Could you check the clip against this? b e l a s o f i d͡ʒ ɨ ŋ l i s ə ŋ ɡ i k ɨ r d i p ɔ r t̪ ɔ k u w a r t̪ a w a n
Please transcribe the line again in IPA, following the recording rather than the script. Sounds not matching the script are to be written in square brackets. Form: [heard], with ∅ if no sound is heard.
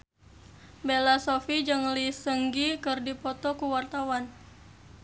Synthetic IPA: b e l a s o f i d͡ʒ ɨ ŋ l i s ə ŋ ɡ i k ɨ r d i p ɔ [∅] t̪ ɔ k u w a r t̪ a w a n